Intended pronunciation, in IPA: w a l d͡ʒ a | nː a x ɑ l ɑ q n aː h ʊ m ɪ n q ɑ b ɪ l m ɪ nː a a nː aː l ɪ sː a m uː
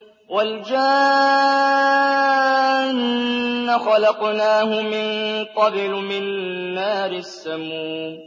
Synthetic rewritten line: w a l d͡ʒ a | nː a x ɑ l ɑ q n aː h ʊ m ɪ n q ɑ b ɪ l m ɪ n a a nː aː ɾ ɪ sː a m uː

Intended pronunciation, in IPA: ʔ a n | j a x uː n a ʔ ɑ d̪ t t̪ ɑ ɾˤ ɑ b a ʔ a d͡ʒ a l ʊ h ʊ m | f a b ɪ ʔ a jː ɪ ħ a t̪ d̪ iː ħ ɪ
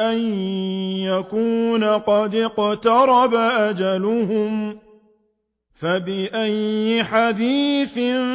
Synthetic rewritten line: ʔ a n | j a k uː n a q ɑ d̪ q t̪ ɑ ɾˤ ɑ b a ʔ a d͡ʒ a l ʊ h ʊ m | f a b ɪ ʔ a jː ɪ ħ a d̪ iː θ ɪ

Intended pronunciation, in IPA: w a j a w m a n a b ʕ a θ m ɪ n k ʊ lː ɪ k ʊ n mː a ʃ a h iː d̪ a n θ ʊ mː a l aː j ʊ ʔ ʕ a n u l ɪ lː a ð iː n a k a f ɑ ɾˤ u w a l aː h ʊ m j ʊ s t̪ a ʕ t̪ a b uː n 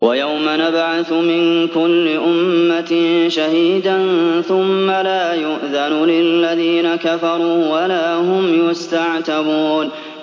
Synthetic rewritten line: w a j a w m a n a b ʕ a θ m ɪ n k ʊ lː ɪ ʔ ʊ m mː a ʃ a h iː d̪ a n θ ʊ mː a l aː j ʊ ʔ ð a n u l ɪ lː a ð iː n a k a f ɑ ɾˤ uː w a l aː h ʊ m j ʊ s t̪ a ʕ t̪ a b uː n

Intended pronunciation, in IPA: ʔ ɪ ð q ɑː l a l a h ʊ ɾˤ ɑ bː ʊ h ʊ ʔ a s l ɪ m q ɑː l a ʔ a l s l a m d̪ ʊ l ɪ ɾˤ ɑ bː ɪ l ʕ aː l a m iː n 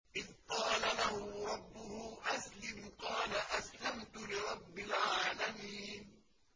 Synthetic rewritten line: ʔ ɪ ð q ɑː l a l a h ʊ ɾˤ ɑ bː ʊ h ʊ ʔ a s l ɪ m q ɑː l a ʔ a s l a m t̪ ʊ l ɪ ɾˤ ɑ bː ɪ l ʕ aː l a m iː n

